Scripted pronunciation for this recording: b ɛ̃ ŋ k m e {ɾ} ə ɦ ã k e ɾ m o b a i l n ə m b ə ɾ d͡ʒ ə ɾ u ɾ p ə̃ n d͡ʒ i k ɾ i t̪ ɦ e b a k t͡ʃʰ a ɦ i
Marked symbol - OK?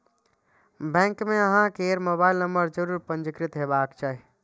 no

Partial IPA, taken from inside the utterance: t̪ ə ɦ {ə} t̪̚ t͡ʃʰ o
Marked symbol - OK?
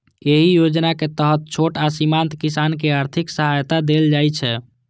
yes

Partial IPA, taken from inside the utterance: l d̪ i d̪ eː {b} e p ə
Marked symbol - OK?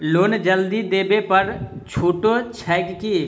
yes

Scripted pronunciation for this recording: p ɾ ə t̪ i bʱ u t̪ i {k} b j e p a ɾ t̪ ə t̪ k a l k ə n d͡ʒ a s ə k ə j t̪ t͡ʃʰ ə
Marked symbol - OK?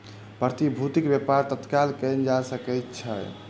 yes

